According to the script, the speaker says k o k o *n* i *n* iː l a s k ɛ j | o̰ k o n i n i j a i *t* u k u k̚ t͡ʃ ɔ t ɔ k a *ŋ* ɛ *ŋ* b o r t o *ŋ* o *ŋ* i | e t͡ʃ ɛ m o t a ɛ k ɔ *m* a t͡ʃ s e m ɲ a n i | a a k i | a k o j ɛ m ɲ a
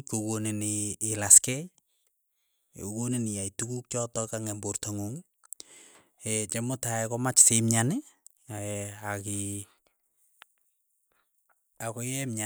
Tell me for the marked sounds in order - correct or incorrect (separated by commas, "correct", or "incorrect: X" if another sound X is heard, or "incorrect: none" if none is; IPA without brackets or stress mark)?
correct, correct, correct, correct, incorrect: m, correct, correct, correct